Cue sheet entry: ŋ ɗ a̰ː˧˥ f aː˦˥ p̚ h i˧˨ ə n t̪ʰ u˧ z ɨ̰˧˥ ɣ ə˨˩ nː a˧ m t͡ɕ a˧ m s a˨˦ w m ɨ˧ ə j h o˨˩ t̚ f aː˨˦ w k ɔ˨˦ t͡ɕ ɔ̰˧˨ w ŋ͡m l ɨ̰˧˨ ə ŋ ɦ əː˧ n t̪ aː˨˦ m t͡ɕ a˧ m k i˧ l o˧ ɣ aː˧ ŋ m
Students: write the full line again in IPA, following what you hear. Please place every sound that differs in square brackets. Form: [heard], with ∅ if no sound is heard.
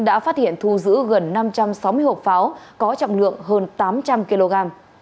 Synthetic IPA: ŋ ɗ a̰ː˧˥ f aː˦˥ [t̚] h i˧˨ ə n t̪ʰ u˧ z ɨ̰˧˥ ɣ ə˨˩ nː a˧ m t͡ɕ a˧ m s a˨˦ w m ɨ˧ ə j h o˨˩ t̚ f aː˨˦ w k ɔ˨˦ t͡ɕ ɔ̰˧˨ w ŋ͡m l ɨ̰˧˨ ə ŋ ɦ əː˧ n t̪ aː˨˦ m t͡ɕ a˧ m k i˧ l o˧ ɣ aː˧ [∅] m

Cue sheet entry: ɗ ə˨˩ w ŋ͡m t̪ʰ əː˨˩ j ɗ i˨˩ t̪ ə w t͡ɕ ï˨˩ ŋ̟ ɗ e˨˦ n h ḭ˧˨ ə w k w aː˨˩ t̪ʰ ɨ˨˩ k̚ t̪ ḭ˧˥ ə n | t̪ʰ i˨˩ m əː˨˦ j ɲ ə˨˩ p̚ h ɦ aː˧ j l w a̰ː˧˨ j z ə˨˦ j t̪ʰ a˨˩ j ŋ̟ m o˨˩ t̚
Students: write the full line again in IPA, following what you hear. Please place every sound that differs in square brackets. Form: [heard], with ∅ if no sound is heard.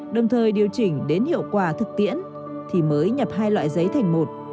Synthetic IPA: ɗ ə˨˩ w ŋ͡m t̪ʰ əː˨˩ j ɗ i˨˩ [∅] ə w t͡ɕ ï˨˩ ŋ̟ ɗ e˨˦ n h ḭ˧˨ ə w k w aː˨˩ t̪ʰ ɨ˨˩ k̚ t̪ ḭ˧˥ ə n | t̪ʰ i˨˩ m əː˨˦ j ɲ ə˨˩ p̚ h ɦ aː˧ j l w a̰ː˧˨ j z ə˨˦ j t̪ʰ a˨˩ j ŋ̟ m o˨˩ t̚

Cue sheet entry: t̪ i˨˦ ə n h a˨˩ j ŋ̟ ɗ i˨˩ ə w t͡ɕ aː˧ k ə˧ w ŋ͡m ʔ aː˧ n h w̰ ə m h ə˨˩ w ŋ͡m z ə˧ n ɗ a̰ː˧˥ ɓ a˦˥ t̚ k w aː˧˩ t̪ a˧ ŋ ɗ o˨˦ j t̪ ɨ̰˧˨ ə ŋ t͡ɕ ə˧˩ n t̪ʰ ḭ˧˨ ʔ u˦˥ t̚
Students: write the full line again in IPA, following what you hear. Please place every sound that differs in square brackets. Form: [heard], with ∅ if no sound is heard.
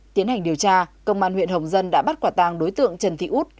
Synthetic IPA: t̪ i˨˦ ə n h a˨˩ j ŋ̟ ɗ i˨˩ ə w t͡ɕ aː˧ k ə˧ w ŋ͡m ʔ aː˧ n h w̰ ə [n] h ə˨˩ w ŋ͡m z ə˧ n ɗ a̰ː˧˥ ɓ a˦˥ t̚ k w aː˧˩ t̪ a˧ ŋ ɗ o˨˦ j t̪ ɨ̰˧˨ ə ŋ t͡ɕ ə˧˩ n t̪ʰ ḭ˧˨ ʔ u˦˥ t̚

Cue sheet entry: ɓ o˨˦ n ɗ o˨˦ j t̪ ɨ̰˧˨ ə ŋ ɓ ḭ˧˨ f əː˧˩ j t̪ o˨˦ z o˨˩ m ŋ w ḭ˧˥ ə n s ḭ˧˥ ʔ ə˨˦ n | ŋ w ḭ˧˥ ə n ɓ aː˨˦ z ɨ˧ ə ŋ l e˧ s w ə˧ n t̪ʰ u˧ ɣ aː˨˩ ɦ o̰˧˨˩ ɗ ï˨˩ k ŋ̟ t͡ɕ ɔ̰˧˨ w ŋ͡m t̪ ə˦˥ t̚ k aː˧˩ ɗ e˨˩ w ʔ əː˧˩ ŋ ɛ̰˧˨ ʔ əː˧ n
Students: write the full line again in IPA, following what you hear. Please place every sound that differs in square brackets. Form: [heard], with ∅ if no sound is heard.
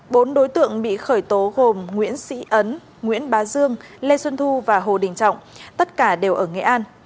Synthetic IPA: ɓ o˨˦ n ɗ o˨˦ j t̪ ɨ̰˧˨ ə ŋ ɓ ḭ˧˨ [x] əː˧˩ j t̪ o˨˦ [ɣ] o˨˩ m ŋ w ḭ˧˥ ə n s ḭ˧˥ ʔ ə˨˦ n | ŋ w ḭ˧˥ ə n ɓ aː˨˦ z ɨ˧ ə ŋ l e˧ s w ə˧ n t̪ʰ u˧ [v] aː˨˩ ɦ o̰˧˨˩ ɗ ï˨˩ [∅] ŋ̟ t͡ɕ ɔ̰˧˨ w ŋ͡m t̪ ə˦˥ t̚ k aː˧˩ ɗ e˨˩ w ʔ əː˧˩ ŋ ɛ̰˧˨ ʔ [aː˧] n

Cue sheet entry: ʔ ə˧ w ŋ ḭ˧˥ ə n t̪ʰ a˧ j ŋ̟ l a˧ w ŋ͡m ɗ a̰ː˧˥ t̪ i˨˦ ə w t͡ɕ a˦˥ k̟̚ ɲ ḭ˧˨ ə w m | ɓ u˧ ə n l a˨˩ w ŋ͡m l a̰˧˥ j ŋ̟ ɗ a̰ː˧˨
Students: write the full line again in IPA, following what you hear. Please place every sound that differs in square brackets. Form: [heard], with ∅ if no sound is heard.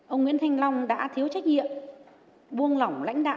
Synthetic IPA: ʔ ə˧ w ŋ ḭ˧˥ ə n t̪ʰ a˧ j ŋ̟ l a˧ w ŋ͡m ɗ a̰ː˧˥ [t̪ʰ] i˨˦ ə w t͡ɕ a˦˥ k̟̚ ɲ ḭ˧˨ ə [∅] m | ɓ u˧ ə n l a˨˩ w ŋ͡m l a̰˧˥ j ŋ̟ ɗ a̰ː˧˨

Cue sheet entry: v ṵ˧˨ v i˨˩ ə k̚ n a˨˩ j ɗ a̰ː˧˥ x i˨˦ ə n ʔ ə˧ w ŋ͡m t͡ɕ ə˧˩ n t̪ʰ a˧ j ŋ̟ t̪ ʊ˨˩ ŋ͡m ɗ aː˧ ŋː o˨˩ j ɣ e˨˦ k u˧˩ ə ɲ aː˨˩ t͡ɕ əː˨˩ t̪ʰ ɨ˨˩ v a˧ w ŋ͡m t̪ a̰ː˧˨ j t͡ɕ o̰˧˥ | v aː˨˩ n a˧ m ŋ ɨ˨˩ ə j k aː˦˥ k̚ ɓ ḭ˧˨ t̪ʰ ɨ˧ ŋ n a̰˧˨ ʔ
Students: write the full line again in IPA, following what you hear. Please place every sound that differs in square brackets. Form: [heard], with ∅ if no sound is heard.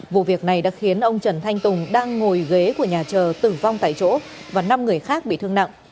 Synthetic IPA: v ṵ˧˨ v i˨˩ ə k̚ n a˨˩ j ɗ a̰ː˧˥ x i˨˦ ə n ʔ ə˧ w ŋ͡m t͡ɕ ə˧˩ n t̪ʰ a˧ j ŋ̟ t̪ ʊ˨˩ ŋ͡m ɗ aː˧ ŋː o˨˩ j ɣ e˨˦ k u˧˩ ə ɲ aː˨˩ t͡ɕ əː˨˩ [t̪] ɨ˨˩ v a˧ w ŋ͡m t̪ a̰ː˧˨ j t͡ɕ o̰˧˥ | v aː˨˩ n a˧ m ŋ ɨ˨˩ ə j [x] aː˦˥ k̚ ɓ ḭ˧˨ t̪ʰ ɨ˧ ŋ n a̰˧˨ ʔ

